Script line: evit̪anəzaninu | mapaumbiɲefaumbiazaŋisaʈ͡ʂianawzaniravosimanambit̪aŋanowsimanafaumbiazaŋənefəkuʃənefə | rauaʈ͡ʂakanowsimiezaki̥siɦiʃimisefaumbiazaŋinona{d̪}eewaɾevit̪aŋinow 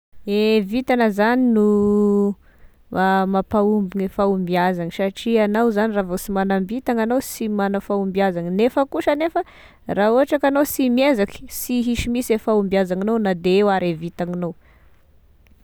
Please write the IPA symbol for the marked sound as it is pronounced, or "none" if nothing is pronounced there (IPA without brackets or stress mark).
d̪